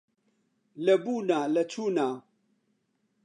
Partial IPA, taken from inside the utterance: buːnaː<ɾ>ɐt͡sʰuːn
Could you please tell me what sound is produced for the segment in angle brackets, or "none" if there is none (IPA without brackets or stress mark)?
l